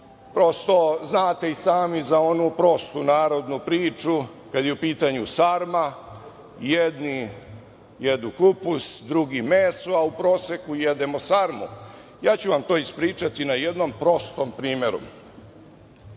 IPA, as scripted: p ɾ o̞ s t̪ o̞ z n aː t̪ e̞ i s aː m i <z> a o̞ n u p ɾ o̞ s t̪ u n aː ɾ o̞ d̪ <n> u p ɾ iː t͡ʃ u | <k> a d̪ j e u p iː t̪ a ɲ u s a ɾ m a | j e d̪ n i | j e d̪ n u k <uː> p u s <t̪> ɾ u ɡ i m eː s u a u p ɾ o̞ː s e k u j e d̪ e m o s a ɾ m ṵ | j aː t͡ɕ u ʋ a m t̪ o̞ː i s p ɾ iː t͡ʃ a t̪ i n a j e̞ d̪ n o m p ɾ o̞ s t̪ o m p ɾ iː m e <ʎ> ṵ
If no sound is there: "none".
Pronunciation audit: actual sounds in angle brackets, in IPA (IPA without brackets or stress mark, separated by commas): z, n, k, u, d̪, ɾ